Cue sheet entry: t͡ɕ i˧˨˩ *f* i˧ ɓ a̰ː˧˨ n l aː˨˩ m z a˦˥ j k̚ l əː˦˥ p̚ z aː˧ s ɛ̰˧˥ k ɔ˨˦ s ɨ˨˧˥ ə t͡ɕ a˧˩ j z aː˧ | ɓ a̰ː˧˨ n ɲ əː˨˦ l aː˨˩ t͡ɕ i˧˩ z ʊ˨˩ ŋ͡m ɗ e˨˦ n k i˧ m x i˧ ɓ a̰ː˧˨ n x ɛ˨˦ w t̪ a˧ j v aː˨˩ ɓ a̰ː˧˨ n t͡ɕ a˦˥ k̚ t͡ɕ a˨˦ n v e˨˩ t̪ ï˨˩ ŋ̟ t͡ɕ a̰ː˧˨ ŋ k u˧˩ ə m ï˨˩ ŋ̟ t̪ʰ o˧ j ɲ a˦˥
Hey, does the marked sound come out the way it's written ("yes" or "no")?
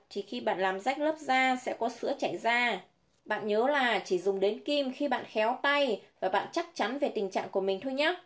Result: no